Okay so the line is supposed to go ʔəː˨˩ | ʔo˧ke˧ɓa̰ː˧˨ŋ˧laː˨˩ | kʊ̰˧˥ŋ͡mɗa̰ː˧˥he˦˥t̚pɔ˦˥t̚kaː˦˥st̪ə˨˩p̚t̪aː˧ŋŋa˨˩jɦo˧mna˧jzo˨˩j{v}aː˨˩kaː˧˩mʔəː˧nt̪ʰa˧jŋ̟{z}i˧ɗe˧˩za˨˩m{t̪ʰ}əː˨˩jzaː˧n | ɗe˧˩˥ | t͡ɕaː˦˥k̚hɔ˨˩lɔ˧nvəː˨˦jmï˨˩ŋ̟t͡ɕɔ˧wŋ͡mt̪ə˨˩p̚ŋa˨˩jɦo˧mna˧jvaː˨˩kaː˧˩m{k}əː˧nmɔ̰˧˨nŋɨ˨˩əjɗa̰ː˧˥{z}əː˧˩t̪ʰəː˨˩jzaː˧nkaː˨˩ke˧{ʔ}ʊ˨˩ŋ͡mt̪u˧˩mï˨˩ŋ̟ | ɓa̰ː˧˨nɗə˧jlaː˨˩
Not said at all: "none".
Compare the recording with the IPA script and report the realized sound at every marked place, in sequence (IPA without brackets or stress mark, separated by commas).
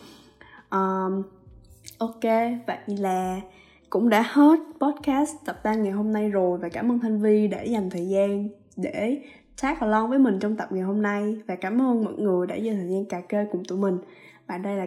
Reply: v, v, t̪ʰ, ʔ, z, k